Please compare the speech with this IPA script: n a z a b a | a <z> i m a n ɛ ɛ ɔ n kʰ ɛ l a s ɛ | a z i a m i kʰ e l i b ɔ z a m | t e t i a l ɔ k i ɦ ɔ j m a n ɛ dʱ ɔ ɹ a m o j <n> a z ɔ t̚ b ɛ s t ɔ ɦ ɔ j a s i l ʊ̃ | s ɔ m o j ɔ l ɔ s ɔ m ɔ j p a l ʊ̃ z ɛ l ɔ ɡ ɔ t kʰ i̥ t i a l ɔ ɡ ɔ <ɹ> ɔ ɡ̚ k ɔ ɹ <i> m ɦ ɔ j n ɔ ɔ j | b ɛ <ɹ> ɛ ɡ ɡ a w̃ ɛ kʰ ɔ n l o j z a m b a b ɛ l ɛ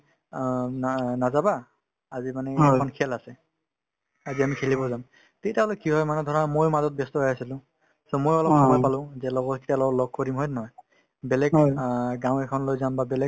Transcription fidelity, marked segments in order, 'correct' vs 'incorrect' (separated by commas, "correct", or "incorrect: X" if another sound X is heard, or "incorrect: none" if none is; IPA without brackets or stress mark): correct, incorrect: m, incorrect: l, correct, incorrect: l